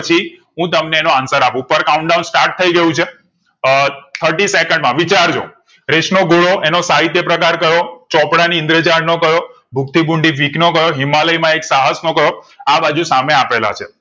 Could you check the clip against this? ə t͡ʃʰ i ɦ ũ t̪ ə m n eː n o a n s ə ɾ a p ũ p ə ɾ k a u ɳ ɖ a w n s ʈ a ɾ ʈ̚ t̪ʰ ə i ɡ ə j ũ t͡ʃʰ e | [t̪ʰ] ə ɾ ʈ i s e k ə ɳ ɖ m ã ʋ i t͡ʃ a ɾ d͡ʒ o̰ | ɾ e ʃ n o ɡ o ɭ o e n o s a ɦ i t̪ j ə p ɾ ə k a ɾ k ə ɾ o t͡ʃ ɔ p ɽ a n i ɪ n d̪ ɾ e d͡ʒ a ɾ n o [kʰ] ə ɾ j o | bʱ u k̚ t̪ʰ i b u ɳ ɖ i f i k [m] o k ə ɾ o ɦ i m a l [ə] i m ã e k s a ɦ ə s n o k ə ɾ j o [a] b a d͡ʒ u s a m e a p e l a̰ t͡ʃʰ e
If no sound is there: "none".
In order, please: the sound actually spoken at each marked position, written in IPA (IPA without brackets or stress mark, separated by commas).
t̪ʰ, k, n, ə, a